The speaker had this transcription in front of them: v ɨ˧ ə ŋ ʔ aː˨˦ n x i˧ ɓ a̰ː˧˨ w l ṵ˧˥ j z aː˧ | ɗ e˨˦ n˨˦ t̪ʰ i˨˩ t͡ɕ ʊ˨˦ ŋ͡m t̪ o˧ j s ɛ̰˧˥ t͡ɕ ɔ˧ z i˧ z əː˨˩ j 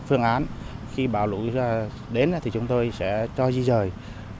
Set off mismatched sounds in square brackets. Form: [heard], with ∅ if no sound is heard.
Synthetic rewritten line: [f] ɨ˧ ə ŋ ʔ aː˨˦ n x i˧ ɓ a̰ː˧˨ w l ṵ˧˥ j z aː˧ | ɗ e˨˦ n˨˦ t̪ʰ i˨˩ t͡ɕ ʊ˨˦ ŋ͡m t̪ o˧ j s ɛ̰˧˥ t͡ɕ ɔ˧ z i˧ z əː˨˩ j